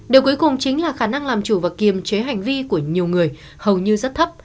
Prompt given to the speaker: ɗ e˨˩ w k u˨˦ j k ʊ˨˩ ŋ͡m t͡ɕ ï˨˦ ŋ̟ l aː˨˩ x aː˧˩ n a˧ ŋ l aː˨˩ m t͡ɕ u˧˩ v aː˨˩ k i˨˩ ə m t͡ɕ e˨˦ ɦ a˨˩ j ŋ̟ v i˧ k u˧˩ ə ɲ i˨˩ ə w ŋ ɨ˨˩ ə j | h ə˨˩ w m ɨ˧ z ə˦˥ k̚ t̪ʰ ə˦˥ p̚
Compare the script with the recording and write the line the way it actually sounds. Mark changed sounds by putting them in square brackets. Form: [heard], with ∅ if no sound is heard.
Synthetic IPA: ɗ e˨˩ w k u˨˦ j k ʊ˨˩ ŋ͡m t͡ɕ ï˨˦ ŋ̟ l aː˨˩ x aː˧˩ n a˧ ŋ l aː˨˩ m t͡ɕ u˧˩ v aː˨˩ k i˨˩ ə m t͡ɕ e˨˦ ɦ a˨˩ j ŋ̟ v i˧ k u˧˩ ə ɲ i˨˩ ə w ŋ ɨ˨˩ ə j | h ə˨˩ w [ɲ] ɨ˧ z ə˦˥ [t̚] t̪ʰ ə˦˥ p̚